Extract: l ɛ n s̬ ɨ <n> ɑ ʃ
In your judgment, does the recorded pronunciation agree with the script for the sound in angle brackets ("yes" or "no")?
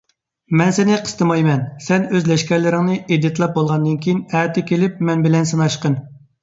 yes